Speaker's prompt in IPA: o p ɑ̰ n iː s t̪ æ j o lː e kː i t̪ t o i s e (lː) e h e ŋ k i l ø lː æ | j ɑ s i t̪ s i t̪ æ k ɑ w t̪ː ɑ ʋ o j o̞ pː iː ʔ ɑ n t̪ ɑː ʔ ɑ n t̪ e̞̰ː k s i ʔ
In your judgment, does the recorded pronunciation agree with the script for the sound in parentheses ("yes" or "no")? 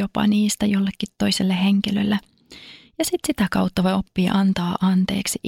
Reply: yes